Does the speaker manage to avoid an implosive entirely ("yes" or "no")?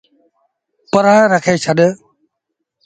no